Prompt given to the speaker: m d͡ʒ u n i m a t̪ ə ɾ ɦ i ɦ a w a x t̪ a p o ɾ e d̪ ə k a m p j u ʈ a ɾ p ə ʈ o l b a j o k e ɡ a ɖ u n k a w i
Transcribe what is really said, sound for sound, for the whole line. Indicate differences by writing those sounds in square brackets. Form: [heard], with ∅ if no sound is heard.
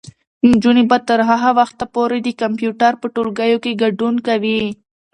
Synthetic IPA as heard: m d͡ʒ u n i [b] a t̪ ə ɾ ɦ [a] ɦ a w a x t̪ a p o ɾ e d̪ ə k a m p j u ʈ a ɾ p ə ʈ o l [ɡ] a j o k e ɡ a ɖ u n k a w i